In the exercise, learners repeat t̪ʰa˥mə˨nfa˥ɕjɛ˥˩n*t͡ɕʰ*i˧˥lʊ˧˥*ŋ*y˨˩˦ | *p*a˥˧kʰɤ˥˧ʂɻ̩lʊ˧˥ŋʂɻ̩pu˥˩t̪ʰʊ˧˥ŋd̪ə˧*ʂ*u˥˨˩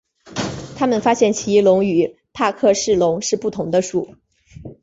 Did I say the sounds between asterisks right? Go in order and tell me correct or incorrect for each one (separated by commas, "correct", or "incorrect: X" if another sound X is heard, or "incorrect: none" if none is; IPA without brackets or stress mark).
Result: correct, correct, incorrect: pʰ, correct